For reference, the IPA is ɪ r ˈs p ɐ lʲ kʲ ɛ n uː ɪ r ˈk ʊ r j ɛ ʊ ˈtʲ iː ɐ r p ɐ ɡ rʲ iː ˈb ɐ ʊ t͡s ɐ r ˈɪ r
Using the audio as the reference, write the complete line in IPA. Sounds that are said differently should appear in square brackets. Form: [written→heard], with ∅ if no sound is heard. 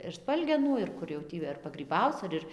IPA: ɪ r ˈs p ɐ lʲ [kʲ→ɡʲ] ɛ n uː ɪ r ˈk ʊ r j ɛ ʊ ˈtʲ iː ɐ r p ɐ ɡ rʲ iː ˈb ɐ ʊ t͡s ɐ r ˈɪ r